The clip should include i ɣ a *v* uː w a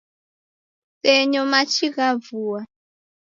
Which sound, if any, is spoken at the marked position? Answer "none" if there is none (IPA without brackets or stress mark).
v